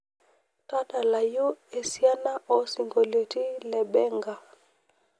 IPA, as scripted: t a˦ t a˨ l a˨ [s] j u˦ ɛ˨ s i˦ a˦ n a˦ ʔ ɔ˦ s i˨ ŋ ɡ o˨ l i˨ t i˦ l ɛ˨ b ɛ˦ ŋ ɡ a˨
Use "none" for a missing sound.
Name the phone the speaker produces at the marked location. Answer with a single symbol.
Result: none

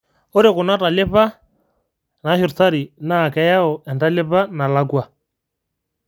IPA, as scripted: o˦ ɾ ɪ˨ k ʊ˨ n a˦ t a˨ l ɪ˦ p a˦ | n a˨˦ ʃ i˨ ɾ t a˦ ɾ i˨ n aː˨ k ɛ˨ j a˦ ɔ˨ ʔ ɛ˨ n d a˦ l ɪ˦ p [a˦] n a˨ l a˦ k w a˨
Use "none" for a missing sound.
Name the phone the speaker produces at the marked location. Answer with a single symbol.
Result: a˦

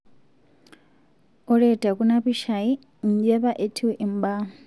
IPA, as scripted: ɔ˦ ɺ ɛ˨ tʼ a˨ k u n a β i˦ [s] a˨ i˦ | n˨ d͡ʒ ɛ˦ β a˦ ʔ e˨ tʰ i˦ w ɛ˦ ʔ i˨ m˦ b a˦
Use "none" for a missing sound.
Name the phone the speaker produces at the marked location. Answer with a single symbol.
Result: ʃ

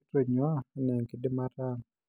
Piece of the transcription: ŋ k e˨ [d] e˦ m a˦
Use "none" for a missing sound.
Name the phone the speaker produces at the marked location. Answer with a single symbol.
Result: d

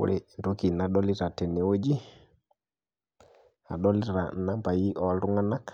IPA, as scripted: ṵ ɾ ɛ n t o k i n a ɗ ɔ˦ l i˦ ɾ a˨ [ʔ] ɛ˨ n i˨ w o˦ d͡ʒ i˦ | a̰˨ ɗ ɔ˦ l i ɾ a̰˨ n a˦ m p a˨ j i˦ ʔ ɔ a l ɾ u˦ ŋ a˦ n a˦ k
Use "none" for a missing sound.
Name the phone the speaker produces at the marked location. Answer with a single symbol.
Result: t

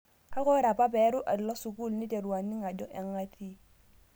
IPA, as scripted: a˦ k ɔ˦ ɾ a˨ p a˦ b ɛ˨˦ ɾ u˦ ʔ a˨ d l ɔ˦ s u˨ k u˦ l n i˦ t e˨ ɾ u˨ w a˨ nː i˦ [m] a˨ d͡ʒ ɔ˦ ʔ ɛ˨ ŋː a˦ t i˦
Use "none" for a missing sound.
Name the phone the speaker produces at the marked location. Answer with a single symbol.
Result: ŋ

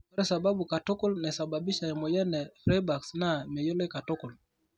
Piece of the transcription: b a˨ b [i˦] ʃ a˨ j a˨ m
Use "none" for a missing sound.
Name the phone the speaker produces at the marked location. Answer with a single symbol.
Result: i˦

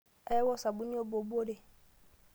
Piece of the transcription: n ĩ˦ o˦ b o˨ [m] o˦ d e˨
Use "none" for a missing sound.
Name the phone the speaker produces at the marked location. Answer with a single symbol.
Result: b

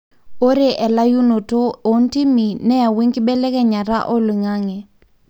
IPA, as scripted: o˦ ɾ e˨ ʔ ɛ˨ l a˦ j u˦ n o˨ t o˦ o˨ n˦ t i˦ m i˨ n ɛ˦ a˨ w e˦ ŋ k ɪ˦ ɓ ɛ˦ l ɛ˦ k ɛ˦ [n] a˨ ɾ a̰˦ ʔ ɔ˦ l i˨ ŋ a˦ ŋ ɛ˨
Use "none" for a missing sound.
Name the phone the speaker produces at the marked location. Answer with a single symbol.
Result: ɲ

